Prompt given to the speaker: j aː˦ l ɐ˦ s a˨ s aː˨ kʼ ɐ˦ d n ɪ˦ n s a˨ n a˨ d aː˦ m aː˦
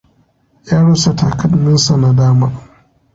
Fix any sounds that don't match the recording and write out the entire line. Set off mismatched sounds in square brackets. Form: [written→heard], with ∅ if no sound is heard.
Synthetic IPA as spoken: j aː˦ [l→ɽ] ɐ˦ s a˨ [s→t] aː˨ [kʼ→k] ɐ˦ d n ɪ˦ n s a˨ n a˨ d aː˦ m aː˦

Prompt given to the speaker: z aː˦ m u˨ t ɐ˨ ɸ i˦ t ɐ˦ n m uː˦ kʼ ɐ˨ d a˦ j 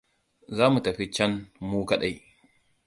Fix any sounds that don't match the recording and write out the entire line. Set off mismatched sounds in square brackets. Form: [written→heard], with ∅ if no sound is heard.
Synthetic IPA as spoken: z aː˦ m u˨ t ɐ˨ ɸ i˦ [t→t͡ʃ] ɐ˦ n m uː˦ [kʼ→k] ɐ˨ [d→ɗ] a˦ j

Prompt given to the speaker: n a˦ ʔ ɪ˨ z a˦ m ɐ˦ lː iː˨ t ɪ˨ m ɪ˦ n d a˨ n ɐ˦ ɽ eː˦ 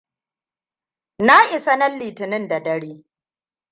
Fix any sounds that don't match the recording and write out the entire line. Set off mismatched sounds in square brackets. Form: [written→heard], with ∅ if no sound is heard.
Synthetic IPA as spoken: n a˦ ʔ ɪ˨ [z→s] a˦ [m→n] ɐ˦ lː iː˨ t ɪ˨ [m→n] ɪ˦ n d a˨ [n→d] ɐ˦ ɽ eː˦

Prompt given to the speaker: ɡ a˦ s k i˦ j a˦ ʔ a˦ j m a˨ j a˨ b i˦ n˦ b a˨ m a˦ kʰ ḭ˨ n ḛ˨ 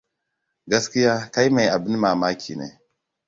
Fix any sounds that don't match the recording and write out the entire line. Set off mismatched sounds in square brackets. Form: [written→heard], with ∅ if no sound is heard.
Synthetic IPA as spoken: ɡ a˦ s k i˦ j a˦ [ʔ→k] a˦ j m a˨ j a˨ b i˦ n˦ [b→m] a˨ m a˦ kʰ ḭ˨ n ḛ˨

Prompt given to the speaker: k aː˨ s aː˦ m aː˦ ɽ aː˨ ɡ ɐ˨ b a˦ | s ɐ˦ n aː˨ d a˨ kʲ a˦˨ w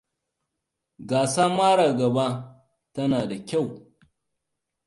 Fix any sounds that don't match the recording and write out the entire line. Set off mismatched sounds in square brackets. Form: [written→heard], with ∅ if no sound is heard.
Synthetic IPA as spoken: [k→ɡ] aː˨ s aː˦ m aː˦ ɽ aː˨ ɡ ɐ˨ b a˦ | [s→t] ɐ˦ n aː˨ d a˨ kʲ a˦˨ w

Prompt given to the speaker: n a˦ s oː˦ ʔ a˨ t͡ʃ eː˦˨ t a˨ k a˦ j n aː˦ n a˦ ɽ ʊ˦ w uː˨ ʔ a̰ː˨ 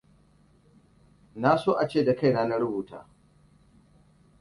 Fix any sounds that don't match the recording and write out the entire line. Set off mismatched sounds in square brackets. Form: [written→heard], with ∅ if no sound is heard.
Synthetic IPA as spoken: n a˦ s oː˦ ʔ a˨ t͡ʃ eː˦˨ [t→d] a˨ k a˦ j n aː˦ n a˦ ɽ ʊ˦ [w→b] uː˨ [ʔ→t] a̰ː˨

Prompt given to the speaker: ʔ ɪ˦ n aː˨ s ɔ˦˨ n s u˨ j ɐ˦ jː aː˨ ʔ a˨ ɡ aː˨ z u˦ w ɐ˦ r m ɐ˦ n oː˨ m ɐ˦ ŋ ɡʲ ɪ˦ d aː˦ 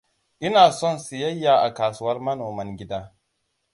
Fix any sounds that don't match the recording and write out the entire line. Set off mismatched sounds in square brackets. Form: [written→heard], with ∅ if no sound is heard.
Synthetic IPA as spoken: ʔ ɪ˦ n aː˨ s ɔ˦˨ n s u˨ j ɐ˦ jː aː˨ ʔ a˨ [ɡ→k] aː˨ [z→s] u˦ w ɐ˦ r m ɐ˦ n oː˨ m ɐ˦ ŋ ɡʲ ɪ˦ d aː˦

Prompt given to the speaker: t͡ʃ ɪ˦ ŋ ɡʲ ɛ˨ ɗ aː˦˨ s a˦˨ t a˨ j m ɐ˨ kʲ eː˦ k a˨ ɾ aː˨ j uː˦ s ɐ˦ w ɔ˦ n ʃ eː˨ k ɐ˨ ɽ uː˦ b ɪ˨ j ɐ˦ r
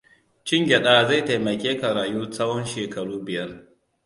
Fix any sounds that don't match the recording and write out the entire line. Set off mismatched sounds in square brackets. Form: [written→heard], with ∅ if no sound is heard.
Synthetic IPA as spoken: t͡ʃ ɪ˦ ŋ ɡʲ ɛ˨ ɗ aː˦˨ [s→z] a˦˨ t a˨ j m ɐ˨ kʲ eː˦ k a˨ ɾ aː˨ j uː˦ s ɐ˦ w ɔ˦ n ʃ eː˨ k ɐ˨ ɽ uː˦ b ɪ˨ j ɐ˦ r

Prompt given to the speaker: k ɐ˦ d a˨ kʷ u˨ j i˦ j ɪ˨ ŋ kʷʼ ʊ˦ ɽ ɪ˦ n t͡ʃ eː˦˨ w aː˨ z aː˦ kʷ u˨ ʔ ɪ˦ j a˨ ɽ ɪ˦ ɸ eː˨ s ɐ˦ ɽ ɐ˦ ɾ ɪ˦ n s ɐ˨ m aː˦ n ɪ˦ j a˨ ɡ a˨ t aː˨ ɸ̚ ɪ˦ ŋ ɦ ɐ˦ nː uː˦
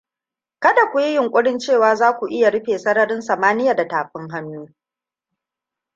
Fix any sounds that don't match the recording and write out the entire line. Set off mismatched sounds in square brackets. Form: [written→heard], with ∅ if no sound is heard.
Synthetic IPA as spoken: k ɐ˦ d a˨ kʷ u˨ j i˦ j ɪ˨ ŋ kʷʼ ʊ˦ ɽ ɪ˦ n t͡ʃ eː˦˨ w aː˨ z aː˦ kʷ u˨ ʔ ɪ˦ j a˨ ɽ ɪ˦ ɸ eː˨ s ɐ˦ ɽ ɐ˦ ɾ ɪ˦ n s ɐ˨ m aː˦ n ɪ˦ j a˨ [ɡ→d] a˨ t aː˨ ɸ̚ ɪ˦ ŋ ɦ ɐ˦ nː uː˦

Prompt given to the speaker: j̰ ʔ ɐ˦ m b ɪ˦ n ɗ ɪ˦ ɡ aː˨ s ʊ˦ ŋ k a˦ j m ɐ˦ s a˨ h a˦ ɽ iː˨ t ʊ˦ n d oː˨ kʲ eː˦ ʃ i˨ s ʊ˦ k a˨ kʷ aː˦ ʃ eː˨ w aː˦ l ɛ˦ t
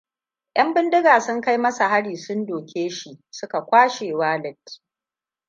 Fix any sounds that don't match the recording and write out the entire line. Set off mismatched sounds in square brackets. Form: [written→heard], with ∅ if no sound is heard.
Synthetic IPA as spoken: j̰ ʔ ɐ˦ m b ɪ˦ n [ɗ→d] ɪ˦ ɡ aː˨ s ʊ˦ ŋ k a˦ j m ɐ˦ s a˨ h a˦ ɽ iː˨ [t→s] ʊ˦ n d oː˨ kʲ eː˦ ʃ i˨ s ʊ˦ k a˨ kʷ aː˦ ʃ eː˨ w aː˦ l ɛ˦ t

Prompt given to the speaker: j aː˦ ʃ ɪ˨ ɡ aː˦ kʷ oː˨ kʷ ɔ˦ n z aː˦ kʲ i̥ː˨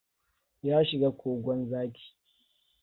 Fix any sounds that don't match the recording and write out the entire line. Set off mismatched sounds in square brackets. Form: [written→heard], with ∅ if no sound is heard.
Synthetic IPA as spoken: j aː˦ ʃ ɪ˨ ɡ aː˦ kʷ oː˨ [kʷ→ɡʷ] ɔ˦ n z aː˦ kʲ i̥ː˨

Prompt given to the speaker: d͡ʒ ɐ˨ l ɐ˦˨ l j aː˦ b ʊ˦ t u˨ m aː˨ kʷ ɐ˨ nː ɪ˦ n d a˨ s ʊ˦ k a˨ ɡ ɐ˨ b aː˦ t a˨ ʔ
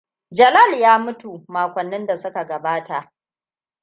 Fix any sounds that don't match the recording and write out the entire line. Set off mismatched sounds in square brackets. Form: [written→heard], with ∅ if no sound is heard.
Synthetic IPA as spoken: d͡ʒ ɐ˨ l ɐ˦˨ l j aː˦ [b→m] ʊ˦ t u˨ m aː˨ kʷ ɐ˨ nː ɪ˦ n d a˨ s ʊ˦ k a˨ ɡ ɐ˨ b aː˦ t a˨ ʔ

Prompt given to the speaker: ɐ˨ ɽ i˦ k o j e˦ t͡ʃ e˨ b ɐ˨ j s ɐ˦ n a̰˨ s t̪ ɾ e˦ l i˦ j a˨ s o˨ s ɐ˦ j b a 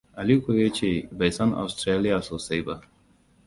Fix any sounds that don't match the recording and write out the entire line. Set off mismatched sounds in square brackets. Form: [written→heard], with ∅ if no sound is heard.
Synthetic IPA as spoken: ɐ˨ [ɽ→l] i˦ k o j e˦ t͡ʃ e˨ b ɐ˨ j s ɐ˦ n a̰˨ s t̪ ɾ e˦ l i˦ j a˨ s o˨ s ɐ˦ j b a

